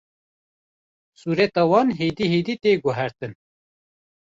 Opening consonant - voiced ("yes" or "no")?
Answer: no